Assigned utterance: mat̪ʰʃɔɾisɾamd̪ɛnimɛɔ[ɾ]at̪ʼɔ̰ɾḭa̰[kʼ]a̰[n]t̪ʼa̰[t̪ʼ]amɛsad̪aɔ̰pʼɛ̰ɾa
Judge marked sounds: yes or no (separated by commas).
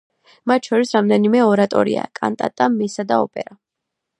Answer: yes, yes, yes, yes